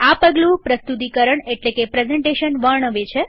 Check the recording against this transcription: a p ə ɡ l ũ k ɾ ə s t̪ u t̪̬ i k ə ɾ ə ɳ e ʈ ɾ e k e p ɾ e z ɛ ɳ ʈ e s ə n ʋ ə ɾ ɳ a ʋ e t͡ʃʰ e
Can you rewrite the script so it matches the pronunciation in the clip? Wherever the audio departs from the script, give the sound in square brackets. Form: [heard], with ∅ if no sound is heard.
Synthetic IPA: a p ə ɡ l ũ [p] ɾ ə s t̪ u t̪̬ i k ə ɾ ə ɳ e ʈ [l] e k e p ɾ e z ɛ ɳ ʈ e [ʃ] ə n ʋ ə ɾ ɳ [ə] ʋ e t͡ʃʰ e